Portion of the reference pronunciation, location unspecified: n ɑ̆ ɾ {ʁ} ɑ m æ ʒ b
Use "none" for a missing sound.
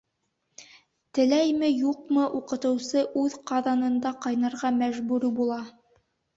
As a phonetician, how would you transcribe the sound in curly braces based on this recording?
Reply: ʁ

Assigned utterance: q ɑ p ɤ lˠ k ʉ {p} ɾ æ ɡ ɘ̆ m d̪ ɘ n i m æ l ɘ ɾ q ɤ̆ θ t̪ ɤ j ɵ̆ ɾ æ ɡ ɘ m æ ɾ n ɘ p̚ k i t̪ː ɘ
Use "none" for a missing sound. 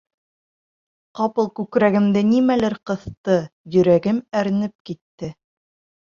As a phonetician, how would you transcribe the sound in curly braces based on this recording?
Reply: k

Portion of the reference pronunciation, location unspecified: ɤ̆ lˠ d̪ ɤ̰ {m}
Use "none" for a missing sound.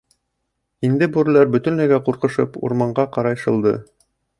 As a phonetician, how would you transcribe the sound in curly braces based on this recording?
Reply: none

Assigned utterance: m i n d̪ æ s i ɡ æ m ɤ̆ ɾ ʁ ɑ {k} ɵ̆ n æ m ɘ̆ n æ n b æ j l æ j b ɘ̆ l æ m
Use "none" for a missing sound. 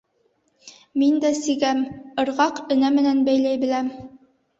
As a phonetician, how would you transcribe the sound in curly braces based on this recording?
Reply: q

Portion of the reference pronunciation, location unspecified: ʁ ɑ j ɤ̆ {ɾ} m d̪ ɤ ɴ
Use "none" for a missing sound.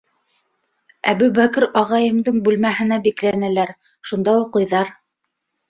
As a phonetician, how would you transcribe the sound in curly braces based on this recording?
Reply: none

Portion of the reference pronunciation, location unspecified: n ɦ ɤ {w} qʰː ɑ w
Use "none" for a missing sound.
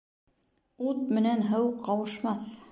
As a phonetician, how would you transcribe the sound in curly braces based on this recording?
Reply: w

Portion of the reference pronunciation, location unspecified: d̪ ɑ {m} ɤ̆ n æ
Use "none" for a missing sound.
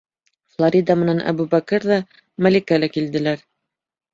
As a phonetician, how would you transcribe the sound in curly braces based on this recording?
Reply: m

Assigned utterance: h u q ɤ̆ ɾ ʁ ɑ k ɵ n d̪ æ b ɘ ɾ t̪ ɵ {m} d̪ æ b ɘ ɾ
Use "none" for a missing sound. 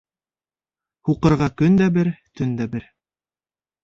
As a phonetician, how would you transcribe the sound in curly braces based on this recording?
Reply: n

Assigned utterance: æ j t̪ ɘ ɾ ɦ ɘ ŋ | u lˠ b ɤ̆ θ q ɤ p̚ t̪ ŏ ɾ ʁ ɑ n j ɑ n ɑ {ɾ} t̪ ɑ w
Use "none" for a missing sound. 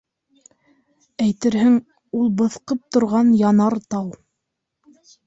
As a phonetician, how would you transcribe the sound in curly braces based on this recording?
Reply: ɾ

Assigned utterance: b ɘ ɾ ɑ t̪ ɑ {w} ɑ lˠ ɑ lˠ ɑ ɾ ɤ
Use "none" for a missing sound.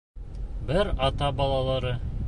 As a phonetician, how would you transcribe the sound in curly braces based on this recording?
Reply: b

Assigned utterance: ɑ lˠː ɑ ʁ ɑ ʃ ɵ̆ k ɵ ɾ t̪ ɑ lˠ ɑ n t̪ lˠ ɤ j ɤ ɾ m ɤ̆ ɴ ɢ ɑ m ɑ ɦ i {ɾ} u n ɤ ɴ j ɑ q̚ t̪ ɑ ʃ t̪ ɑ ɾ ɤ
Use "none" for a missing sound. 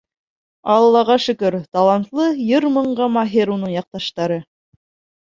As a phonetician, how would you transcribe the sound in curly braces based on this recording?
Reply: ɾ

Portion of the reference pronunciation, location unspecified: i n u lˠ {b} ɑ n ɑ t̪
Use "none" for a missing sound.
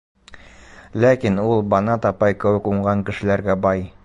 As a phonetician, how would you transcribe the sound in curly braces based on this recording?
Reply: b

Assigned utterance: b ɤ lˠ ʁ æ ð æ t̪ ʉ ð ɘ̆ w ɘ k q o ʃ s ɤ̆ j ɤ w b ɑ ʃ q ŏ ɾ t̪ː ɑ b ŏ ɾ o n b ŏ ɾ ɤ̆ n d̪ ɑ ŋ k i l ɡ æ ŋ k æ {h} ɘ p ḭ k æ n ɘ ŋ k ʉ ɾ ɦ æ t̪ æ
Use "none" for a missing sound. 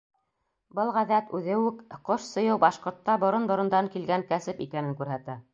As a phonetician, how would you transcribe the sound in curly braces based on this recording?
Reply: s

